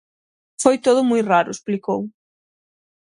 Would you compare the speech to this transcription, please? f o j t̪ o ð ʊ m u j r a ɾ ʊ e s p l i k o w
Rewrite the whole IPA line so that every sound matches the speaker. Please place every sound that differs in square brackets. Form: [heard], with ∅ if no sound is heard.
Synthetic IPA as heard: f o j t̪ o ð ʊ m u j r a ɾ ʊ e s p l i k o w